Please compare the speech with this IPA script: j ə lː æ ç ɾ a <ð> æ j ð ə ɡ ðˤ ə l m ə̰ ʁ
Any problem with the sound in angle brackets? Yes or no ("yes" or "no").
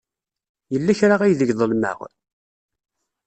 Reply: yes